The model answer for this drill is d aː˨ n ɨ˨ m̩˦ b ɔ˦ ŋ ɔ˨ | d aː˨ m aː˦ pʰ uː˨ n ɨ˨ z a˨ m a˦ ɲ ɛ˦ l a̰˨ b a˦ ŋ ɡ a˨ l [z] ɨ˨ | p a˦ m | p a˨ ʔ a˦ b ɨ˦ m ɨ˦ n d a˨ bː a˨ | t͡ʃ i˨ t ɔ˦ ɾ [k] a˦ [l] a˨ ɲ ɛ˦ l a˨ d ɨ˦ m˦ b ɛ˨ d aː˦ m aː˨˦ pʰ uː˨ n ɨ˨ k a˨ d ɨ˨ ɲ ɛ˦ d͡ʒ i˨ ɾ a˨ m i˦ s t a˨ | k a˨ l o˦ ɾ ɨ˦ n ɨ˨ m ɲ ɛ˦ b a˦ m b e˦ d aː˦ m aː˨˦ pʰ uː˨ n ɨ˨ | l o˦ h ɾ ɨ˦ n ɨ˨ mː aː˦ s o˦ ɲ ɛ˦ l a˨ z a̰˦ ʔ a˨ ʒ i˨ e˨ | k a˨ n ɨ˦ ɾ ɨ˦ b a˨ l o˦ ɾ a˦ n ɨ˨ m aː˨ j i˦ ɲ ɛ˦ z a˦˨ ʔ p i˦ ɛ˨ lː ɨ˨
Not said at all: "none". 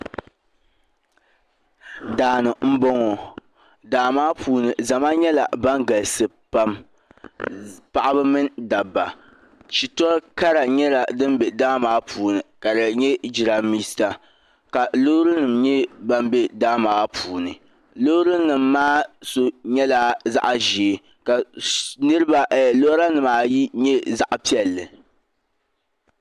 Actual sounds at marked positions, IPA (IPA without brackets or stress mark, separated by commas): s, k, ɾ